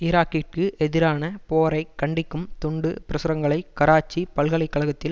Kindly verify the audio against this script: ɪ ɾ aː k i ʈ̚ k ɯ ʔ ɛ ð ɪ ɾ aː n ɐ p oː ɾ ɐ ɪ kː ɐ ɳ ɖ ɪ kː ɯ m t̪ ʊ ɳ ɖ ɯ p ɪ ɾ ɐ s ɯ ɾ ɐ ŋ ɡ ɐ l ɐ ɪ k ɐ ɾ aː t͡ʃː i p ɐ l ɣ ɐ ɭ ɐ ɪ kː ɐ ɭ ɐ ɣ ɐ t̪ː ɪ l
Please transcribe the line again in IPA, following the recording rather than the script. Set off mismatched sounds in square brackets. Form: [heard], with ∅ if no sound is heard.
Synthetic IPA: ɪ ɾ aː k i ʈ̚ k ɯ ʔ ɛ ð ɪ ɾ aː n ɐ p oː ɾ ɐ ɪ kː ɐ ɳ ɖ ɪ kː ɯ m t̪ ʊ ɳ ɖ ɯ p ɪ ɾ ɐ s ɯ ɾ ɐ ŋ ɡ ɐ [ɭ] ɐ ɪ k ɐ ɾ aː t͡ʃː i p ɐ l ɣ ɐ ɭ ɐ ɪ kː ɐ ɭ ɐ ɣ ɐ t̪ː ɪ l